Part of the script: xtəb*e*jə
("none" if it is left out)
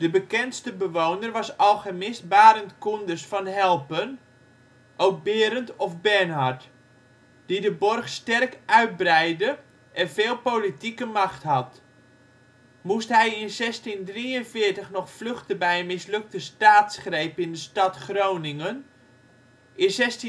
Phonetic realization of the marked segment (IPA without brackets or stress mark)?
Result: ɛ